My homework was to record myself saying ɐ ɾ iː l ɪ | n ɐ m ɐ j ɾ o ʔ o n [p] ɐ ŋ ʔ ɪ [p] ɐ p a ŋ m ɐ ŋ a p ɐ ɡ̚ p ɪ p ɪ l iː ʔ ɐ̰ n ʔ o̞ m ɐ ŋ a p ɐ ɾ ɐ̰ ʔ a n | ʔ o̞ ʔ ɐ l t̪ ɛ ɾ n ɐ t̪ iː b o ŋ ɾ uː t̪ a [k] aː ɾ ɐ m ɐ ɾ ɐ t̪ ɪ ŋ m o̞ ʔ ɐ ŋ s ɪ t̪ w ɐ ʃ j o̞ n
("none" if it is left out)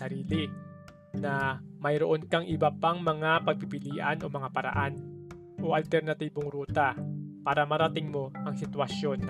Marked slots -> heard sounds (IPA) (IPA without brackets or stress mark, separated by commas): k, b, p